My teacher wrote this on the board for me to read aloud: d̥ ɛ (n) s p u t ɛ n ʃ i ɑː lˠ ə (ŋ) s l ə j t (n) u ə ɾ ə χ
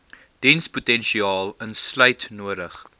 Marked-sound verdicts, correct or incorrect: correct, incorrect, correct

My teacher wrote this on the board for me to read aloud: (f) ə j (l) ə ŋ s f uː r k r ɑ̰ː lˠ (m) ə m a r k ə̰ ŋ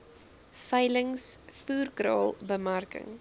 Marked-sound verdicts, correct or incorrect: correct, correct, incorrect

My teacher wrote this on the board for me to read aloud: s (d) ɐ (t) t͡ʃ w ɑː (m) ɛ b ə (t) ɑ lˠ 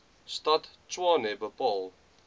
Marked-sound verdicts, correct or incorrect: incorrect, correct, incorrect, incorrect

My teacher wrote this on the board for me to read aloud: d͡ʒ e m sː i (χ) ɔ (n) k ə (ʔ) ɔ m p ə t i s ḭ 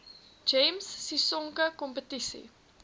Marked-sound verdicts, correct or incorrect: incorrect, incorrect, incorrect

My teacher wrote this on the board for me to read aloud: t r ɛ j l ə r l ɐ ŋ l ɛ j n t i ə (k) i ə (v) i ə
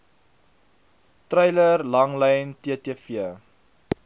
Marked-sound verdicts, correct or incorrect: incorrect, incorrect

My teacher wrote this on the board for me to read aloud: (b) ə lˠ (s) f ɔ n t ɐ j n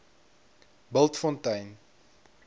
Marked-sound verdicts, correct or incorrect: correct, incorrect

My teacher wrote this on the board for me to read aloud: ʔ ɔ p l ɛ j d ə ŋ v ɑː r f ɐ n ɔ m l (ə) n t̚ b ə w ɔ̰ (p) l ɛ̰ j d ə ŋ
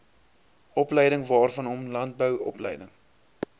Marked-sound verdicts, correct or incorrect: incorrect, correct

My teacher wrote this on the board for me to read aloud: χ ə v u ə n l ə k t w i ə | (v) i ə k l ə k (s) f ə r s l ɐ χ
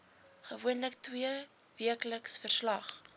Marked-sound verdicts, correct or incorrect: correct, correct

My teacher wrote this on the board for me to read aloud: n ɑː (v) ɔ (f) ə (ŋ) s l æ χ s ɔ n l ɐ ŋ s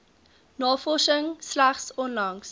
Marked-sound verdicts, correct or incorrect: incorrect, incorrect, correct

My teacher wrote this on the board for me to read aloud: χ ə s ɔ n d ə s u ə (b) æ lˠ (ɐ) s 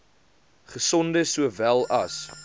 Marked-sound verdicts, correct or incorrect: incorrect, correct

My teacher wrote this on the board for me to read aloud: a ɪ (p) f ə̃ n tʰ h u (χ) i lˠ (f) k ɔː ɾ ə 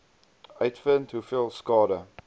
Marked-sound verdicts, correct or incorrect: incorrect, incorrect, incorrect

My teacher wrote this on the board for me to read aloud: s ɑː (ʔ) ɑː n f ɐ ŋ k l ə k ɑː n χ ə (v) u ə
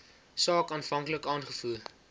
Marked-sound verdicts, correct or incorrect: incorrect, incorrect

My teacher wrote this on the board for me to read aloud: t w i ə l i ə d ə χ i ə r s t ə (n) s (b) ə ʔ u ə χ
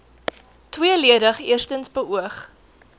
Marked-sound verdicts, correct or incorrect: correct, correct

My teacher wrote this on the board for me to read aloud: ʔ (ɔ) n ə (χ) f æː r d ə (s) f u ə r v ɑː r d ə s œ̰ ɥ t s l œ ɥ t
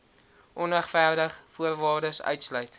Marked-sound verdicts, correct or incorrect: correct, correct, incorrect

